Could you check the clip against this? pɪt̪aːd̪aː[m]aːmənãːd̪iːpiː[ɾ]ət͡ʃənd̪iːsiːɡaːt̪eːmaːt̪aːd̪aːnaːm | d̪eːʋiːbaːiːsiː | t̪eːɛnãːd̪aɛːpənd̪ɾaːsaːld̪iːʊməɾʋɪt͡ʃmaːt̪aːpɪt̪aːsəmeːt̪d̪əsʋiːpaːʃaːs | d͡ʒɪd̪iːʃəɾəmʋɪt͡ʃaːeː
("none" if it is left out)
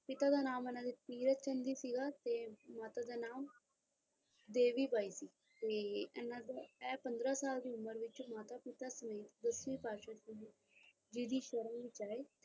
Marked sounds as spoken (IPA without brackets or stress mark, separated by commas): n, ɾ